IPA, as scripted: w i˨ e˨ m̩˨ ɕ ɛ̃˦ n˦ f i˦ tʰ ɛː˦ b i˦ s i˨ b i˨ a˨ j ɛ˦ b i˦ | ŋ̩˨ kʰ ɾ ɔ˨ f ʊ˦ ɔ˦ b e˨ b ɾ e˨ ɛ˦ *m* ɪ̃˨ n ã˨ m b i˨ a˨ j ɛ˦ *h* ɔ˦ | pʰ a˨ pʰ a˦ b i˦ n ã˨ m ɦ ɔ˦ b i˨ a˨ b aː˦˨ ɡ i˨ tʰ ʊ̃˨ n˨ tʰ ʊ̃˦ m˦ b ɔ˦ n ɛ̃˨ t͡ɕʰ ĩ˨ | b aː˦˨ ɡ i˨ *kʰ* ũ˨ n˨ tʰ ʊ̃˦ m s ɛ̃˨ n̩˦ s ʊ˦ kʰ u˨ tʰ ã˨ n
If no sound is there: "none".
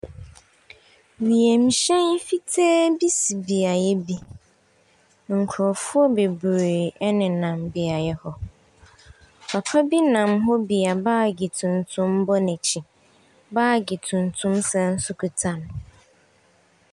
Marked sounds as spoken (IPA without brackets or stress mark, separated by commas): n, h, tʰ